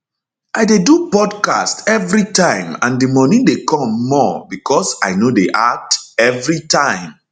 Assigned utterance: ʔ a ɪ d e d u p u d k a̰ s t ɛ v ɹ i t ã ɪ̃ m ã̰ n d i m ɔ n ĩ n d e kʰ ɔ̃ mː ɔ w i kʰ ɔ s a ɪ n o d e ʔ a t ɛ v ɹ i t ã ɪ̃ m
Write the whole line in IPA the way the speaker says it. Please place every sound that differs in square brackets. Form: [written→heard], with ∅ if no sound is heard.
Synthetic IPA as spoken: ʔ a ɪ d e d u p [u→ɔ] d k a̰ s t ɛ v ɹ i t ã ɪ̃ m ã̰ n d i m ɔ n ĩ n d e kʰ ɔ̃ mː ɔ [w→b] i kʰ ɔ s a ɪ n o d e ʔ a t ɛ v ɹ i t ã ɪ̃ m